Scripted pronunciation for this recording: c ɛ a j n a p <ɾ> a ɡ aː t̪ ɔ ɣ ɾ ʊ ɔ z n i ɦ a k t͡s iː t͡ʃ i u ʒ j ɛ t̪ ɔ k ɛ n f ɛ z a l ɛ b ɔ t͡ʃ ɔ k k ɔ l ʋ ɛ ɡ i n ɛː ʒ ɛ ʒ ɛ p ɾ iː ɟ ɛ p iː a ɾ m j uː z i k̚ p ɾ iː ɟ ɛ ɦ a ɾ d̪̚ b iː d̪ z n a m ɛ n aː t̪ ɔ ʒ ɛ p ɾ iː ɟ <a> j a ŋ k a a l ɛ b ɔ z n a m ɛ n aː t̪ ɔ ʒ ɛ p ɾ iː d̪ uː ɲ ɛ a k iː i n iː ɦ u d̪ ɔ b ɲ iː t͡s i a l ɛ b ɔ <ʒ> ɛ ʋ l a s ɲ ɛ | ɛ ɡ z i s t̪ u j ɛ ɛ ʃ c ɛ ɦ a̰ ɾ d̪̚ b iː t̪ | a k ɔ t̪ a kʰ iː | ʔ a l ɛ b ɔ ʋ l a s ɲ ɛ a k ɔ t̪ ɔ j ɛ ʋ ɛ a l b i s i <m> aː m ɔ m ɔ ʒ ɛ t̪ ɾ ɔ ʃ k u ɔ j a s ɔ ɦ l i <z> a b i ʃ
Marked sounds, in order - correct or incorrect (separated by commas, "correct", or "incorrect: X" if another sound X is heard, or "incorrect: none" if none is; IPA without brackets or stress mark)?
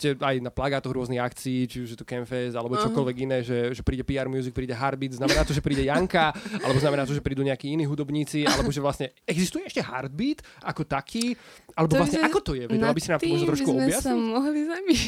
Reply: incorrect: l, incorrect: ɛ, correct, incorrect: n, correct